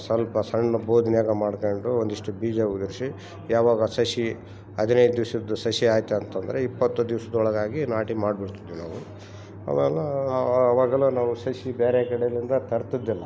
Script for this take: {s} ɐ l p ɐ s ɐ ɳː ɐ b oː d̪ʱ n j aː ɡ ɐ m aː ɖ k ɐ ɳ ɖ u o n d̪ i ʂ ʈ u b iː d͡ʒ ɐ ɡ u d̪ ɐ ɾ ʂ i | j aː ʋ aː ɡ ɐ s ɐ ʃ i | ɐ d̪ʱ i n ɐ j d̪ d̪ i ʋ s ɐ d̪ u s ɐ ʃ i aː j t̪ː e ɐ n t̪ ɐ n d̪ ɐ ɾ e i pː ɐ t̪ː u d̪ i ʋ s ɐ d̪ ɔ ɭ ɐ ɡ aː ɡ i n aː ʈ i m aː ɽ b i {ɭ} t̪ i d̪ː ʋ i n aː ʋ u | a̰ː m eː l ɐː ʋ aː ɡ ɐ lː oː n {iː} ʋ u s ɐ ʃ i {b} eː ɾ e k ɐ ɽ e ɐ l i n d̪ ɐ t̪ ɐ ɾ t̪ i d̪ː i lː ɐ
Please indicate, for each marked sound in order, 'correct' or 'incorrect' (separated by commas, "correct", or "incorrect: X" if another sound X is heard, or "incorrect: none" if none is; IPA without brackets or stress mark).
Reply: correct, incorrect: ɽ, incorrect: aː, correct